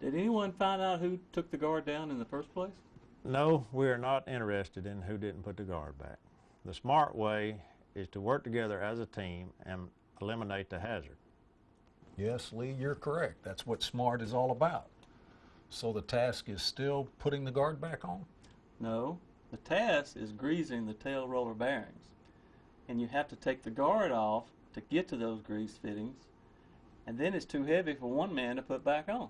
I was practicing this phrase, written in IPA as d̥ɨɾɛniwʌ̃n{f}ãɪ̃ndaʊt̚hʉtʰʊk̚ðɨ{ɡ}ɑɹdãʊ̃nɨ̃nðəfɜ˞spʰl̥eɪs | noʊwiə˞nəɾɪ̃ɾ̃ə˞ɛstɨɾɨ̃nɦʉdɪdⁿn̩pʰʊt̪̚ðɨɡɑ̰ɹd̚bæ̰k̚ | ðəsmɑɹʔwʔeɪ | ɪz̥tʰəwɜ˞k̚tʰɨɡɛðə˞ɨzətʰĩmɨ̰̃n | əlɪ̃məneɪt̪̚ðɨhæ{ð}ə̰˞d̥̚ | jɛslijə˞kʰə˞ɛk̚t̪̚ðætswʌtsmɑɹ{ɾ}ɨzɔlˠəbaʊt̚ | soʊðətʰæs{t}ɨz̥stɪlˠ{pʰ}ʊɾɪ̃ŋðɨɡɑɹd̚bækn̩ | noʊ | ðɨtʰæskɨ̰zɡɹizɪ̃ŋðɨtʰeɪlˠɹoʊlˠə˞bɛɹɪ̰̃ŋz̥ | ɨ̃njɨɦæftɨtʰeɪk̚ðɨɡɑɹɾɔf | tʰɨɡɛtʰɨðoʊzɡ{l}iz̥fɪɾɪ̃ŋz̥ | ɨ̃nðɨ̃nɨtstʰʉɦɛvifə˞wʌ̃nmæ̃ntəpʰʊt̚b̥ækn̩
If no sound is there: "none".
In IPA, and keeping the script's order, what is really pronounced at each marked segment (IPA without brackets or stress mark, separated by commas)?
f, ɡ, z, ɾ, k, pʰ, ɹ